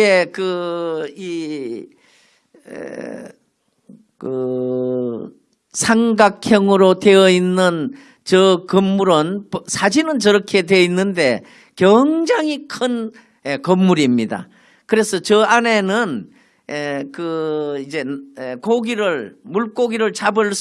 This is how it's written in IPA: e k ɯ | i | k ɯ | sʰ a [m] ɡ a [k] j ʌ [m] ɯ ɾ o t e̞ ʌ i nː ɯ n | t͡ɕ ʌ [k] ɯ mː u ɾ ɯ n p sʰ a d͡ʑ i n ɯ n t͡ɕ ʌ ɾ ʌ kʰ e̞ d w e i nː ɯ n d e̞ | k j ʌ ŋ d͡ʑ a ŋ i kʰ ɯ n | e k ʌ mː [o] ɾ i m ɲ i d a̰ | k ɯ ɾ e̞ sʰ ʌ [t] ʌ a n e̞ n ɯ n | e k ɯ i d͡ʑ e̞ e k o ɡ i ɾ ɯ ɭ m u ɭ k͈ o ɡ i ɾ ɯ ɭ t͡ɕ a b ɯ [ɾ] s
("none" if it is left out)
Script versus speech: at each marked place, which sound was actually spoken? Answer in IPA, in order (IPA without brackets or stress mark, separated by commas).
ŋ, kʰ, ŋ, k, u, t͡ɕ, ɭ